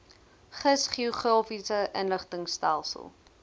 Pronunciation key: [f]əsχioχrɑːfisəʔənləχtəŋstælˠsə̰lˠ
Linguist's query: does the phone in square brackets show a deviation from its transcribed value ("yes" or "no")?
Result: yes